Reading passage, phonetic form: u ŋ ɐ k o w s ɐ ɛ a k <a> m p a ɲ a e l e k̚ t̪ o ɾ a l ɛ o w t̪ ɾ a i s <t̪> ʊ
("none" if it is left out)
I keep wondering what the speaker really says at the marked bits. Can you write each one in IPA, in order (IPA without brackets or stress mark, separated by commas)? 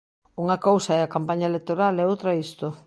a, t̪